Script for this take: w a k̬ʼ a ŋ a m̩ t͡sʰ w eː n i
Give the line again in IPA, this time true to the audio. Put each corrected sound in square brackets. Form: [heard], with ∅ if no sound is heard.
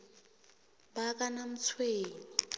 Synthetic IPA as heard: [b] a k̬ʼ a [n] a m̩ t͡sʰ w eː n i